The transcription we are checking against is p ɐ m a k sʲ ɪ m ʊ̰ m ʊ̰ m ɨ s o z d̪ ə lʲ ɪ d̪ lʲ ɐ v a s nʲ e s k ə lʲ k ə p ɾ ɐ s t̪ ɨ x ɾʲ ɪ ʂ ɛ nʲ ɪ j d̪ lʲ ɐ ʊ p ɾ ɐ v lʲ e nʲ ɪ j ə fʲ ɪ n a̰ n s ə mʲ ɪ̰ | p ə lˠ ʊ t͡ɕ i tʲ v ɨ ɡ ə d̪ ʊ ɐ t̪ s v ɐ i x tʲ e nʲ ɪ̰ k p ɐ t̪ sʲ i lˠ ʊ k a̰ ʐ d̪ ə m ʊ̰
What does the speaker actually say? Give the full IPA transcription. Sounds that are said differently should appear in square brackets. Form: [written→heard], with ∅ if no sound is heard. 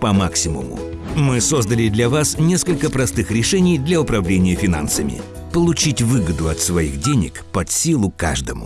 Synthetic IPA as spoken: p ɐ m a k sʲ ɪ m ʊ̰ m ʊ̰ m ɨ s o z d̪ ə lʲ ɪ d̪ lʲ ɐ v a s nʲ e s k ə lʲ k ə p ɾ ɐ s t̪ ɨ x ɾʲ ɪ ʂ ɛ nʲ ɪ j d̪ lʲ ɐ ʊ p ɾ ɐ v lʲ e nʲ ɪ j ə fʲ ɪ n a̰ n s ə mʲ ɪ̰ | p ə lˠ ʊ t͡ɕ i tʲ v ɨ ɡ ə d̪ ʊ ɐ t̪ s v ɐ i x [tʲ→dʲ] e nʲ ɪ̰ k p ɐ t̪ sʲ i lˠ ʊ k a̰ ʐ d̪ ə m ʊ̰